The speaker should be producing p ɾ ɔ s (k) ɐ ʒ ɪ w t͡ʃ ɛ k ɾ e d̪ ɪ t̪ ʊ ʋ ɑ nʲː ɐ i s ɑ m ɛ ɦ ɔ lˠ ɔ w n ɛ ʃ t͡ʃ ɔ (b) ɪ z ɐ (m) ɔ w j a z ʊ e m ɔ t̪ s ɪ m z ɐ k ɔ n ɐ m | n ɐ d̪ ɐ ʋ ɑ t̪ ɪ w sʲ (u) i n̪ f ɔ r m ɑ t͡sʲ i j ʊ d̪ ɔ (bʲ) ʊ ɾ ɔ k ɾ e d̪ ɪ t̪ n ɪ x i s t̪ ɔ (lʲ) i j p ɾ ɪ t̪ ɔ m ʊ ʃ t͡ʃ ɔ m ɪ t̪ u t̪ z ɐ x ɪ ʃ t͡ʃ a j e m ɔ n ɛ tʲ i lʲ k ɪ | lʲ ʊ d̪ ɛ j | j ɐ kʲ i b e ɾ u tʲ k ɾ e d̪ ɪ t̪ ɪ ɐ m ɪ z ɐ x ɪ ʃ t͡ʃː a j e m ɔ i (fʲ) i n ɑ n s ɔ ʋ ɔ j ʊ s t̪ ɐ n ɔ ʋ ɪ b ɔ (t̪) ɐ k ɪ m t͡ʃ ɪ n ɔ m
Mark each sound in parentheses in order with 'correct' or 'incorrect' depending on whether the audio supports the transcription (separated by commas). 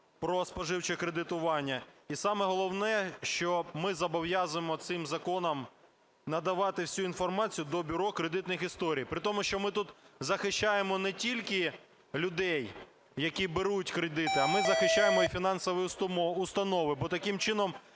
incorrect, incorrect, incorrect, correct, correct, incorrect, correct, correct